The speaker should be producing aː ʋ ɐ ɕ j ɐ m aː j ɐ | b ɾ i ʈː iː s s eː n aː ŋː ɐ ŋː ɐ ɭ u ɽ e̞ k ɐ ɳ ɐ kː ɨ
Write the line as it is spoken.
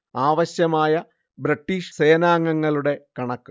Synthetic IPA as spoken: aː ʋ ɐ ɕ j ɐ m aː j ɐ | b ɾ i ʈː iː ʂ s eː n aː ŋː ɐ ŋː ɐ ɭ u ɽ e̞ k ɐ ɳ ɐ kː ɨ

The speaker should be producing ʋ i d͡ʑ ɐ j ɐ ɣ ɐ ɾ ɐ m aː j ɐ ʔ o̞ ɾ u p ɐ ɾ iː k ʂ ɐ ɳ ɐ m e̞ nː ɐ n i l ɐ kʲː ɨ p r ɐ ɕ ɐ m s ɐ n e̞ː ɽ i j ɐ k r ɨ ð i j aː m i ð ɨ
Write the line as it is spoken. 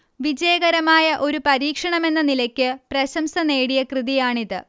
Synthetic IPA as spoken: ʋ i d͡ʑ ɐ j ɐ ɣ ɐ ɾ ɐ m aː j ɐ ʔ o̞ ɾ u p ɐ ɾ iː k ʂ ɐ ɳ ɐ m e̞ nː ɐ n i l ɐ kʲː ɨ p r ɐ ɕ ɐ m s ɐ n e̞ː ɽ i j ɐ k r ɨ ð i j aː ɳ i ð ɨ

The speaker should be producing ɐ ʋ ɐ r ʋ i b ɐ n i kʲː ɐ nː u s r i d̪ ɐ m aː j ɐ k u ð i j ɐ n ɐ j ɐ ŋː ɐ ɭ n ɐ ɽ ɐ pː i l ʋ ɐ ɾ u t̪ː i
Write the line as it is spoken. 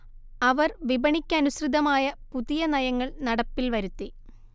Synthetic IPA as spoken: ɐ ʋ ɐ r ʋ i b ɐ ɳ i kʲː ɐ n u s r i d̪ ɐ m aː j ɐ p u ð i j ɐ n ɐ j ɐ ŋː ɐ ɭ n ɐ ɽ ɐ pː i l ʋ ɐ ɾ u t̪ː i

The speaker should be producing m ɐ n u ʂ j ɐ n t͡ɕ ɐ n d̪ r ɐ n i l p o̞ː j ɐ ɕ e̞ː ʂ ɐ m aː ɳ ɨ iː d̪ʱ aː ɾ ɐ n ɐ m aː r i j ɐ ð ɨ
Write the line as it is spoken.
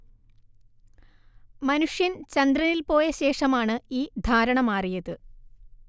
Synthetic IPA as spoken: m ɐ n u ʂ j ɐ n t͡ɕ ɐ n d̪ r ɐ n i l p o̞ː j ɐ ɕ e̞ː ʂ ɐ m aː ɳ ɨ iː d̪ʱ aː ɾ ɐ ɳ ɐ m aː r i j ɐ ð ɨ

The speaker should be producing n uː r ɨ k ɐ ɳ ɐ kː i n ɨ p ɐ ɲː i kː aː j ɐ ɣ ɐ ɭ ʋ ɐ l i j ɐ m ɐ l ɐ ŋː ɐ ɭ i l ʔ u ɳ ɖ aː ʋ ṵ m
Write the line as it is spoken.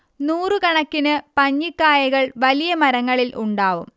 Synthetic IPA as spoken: n uː r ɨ k ɐ ɳ ɐ kː i n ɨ p ɐ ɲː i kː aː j ɐ ɣ ɐ ɭ ʋ ɐ l i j ɐ m ɐ ɾ ɐ ŋː ɐ ɭ i l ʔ u ɳ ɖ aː ʋ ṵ m

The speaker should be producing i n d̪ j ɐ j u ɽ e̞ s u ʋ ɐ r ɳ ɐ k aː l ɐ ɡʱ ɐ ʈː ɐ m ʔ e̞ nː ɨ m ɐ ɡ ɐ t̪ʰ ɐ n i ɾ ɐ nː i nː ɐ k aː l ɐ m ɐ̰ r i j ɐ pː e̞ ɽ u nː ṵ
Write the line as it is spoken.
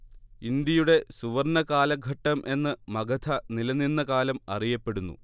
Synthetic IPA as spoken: i n d̪ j ɐ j u ɽ e̞ s u ʋ ɐ r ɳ ɐ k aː l ɐ ɡʱ ɐ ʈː ɐ m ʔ e̞ nː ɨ m ɐ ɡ ɐ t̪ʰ ɐ n i l ɐ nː i nː ɐ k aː l ɐ m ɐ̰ r i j ɐ pː e̞ ɽ u nː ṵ

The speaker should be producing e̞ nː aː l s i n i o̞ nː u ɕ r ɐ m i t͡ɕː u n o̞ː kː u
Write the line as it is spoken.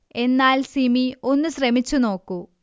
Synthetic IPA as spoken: e̞ nː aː l s i m i o̞ nː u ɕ r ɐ m i t͡ɕː u n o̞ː kː u

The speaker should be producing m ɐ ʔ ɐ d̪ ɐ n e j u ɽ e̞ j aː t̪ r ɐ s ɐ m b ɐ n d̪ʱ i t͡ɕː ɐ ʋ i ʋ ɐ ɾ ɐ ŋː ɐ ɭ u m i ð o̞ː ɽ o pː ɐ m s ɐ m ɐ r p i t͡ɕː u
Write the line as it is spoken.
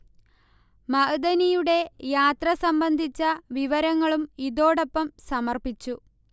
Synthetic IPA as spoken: m ɐ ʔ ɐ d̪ ɐ n i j u ɽ e̞ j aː t̪ r ɐ s ɐ m b ɐ n d̪ʱ i t͡ɕː ɐ ʋ i ʋ ɐ ɾ ɐ ŋː ɐ ɭ u m i ð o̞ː ɽ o pː ɐ m s ɐ m ɐ r p i t͡ɕː u

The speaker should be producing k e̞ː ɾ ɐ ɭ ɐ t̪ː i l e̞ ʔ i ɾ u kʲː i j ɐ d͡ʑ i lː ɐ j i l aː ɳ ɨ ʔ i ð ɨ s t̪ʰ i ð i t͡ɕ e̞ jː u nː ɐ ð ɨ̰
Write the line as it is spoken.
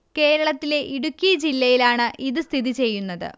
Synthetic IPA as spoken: k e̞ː ɾ ɐ ɭ ɐ t̪ː i l e̞ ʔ i ɽ u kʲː i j ɐ d͡ʑ i lː ɐ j i l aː ɳ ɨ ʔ i ð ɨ s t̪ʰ i ð i t͡ɕ e̞ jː u nː ɐ ð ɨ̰

